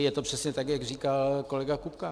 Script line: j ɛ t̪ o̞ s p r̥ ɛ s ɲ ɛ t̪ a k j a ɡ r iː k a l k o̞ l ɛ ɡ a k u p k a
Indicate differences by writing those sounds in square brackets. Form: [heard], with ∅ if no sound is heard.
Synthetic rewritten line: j ɛ t̪ o̞ [∅] p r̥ ɛ s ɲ ɛ t̪ a k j a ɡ r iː k a l k o̞ l ɛ ɡ a k u p k a